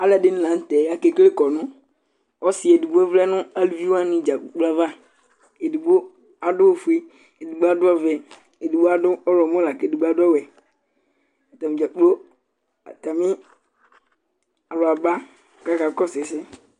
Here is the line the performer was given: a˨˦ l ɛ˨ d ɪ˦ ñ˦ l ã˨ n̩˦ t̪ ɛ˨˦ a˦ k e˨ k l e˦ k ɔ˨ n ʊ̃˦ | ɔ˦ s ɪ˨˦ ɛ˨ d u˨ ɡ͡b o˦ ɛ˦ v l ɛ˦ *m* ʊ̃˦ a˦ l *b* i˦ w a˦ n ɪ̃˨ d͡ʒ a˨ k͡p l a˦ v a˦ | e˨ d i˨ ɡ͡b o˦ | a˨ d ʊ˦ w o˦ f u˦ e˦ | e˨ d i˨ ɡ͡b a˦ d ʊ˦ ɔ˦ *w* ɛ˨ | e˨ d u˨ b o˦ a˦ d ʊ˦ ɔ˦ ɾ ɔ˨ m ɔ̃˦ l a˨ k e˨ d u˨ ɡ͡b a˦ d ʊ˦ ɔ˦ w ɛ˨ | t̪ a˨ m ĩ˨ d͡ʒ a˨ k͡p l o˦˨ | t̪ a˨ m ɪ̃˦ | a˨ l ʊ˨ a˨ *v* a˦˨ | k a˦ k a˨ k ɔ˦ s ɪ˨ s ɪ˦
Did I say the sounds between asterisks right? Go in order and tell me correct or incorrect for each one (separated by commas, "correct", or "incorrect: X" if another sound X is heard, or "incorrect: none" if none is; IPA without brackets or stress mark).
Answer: incorrect: n, incorrect: v, incorrect: v, incorrect: b